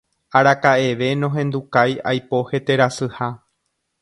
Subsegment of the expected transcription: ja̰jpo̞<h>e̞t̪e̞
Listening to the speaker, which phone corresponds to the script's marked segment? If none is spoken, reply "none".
h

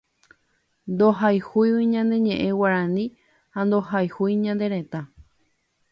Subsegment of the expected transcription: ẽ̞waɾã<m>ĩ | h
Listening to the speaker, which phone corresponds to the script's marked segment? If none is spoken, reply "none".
n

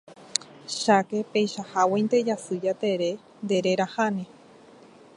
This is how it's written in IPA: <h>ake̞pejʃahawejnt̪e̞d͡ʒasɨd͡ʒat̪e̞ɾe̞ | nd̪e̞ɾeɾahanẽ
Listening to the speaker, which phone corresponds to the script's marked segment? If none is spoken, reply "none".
ʃ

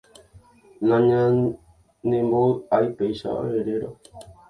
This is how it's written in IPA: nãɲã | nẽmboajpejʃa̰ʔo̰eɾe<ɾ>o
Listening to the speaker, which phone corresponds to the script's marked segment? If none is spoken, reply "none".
ɾ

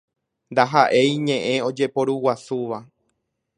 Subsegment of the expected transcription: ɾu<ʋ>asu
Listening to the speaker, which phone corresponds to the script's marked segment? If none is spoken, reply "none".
w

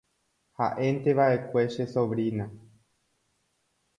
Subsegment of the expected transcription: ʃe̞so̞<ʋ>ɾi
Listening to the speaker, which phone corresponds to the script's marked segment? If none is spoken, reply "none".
ʋ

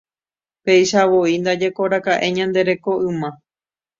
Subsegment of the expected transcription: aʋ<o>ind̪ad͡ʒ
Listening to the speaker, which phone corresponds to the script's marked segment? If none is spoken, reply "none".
o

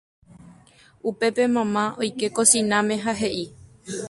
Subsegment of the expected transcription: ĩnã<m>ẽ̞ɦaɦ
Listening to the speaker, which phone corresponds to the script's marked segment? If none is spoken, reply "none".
m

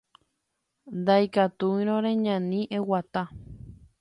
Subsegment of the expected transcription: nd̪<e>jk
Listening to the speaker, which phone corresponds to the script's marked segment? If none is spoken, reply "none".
a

